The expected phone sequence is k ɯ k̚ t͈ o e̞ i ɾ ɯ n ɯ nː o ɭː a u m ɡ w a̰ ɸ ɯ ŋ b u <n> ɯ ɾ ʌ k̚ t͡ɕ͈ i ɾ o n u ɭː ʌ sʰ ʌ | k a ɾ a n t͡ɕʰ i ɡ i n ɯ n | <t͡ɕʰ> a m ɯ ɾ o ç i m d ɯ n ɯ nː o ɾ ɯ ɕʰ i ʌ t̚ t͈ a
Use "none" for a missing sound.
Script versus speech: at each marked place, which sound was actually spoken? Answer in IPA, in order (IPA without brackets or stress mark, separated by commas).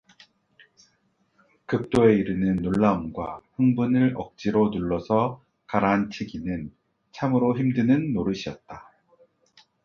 n, t͡ɕʰ